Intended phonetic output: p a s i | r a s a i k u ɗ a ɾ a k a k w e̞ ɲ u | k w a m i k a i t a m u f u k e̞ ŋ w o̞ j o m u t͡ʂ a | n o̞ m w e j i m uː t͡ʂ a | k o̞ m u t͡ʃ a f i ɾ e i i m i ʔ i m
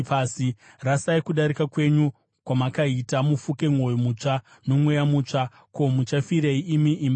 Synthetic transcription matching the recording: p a s i | r a s a i k u ɗ a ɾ i k a k w e̞ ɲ u | k w a m a k a i t a m u f u k e̞ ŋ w o̞ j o m u t͡ʂ a | n o̞ m w e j a m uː t͡ʂ a | k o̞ m u t͡ʃ a f i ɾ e i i m i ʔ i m